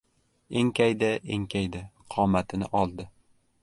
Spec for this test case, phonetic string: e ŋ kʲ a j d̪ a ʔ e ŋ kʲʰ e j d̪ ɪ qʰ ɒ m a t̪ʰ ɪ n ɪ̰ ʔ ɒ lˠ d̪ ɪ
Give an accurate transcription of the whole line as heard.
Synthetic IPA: e ŋ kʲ a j d̪ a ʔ e ŋ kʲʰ a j d̪ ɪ qʰ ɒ m a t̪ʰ ɪ n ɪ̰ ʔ ɒ lˠ d̪ ɪ